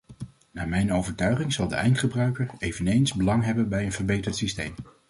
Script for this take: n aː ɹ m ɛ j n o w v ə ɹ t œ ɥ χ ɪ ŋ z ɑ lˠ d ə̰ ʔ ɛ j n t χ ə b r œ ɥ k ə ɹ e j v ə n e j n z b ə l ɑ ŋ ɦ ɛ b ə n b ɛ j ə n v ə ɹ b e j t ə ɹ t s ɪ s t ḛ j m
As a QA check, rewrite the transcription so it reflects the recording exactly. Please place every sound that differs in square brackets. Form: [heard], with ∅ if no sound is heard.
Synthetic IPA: n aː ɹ m ɛ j n o w v ə ɹ t œ ɥ χ ɪ ŋ z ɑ lˠ d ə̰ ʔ ɛ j n t χ ə b r œ ɥ k ə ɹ e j v ə n e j n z b ə l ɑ ŋ ɦ ɛ b ə n b ɛ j ə n v ə ɹ b e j t ə ɹ t s [i] s t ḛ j m